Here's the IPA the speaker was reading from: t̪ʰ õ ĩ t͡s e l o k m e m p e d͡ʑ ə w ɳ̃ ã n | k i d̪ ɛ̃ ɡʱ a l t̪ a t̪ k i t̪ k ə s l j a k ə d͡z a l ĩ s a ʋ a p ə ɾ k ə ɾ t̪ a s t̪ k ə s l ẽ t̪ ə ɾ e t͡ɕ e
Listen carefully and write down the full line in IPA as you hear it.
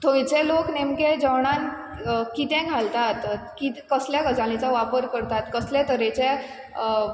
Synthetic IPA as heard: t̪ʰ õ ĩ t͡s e l o k n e m k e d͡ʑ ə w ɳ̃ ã n | k i t̪ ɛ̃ ɡʱ a l t̪ a t̪ k i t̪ k ə s l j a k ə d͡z a l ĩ t͡s a ʋ a p ə ɾ k ə ɾ t̪ a t̪ k ə s l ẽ t̪ ə ɾ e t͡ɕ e